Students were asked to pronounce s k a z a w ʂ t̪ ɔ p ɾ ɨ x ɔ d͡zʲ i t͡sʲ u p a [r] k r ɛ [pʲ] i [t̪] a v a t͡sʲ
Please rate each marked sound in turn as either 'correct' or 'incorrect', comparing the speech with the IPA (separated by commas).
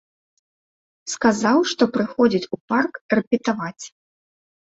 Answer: correct, correct, correct